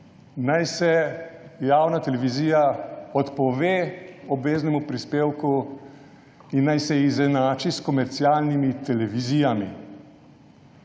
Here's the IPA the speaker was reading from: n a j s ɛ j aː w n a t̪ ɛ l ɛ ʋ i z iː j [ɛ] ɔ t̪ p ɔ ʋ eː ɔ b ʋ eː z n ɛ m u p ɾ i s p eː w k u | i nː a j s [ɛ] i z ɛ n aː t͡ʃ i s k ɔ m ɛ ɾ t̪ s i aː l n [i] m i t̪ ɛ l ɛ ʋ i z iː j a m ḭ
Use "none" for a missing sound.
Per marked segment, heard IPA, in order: a, ɛ, i

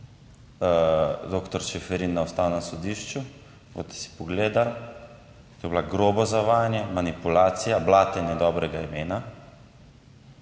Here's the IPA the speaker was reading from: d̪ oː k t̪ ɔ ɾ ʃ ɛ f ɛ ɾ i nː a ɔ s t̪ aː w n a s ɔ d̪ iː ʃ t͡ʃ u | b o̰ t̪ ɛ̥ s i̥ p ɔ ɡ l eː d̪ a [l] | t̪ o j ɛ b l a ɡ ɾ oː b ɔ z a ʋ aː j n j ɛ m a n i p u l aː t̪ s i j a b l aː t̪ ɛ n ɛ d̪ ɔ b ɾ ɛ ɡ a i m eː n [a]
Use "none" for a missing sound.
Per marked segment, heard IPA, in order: l, a

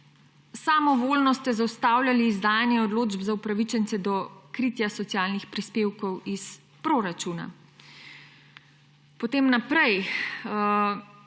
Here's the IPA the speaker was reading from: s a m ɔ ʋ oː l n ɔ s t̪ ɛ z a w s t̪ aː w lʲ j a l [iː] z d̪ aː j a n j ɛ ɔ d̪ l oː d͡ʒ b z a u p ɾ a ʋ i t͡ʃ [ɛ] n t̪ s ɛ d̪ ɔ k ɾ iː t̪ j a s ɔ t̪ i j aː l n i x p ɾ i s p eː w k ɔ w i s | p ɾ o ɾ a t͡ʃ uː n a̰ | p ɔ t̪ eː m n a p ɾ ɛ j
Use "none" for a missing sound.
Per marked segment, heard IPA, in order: iː, ɛ

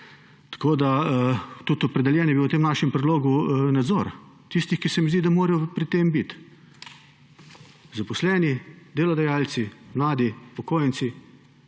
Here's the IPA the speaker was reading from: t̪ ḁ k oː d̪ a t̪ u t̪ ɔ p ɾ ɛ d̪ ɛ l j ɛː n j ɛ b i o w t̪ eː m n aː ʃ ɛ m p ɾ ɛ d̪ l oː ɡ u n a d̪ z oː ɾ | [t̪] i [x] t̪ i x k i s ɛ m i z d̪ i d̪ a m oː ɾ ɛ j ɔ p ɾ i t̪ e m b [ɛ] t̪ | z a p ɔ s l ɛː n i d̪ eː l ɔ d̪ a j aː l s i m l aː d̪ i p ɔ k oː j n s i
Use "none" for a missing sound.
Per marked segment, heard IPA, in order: t̪, s, i

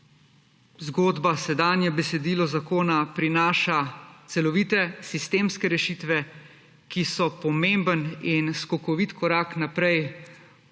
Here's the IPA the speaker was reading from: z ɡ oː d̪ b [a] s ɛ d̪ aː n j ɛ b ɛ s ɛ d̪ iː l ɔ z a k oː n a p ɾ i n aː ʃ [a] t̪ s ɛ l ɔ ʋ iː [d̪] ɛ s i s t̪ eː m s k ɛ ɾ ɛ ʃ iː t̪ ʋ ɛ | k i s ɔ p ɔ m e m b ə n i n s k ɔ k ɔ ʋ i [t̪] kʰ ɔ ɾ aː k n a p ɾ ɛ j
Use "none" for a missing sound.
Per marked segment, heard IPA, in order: a, a, t̪, t̪

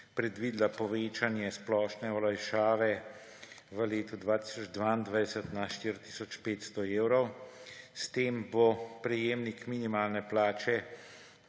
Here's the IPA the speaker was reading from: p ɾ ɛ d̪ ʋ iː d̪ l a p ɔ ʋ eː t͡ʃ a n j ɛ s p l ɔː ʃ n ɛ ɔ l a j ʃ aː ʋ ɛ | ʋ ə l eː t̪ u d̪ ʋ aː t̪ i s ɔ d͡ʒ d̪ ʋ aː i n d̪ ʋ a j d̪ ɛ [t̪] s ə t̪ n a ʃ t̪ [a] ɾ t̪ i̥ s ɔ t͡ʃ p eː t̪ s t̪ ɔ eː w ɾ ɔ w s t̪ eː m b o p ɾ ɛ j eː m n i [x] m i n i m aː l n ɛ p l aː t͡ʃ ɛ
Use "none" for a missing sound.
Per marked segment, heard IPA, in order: none, i, k

